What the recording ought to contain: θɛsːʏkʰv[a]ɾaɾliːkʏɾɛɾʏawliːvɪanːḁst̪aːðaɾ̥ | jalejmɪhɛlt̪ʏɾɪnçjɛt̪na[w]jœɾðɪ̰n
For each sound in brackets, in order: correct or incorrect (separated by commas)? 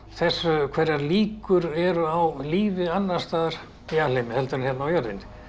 incorrect, correct